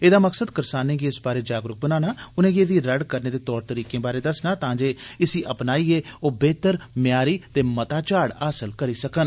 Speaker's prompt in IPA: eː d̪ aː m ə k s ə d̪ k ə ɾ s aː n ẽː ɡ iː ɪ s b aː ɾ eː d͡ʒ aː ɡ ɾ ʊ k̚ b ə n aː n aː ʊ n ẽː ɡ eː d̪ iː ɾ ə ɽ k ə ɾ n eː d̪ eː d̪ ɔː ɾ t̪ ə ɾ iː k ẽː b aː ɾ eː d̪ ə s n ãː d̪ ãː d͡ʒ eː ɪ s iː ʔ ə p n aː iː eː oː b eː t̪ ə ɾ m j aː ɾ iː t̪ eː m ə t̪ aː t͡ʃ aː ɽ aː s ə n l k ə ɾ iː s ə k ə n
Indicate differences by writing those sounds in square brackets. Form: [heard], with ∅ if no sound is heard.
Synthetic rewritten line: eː d̪ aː m ə k s ə d̪ k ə ɾ s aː n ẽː ɡ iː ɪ s b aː ɾ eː d͡ʒ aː ɡ ɾ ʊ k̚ b ə n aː n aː ʊ n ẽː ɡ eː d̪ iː ɾ ə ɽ k ə ɾ n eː d̪ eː [t̪] ɔː ɾ t̪ ə ɾ iː k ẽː b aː ɾ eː d̪ ə s n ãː [t̪] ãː d͡ʒ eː ɪ s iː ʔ ə p n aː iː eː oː b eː t̪ ə ɾ m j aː ɾ iː t̪ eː m ə t̪ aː t͡ʃ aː ɽ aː s ə [∅] l k ə ɾ iː s ə k ə n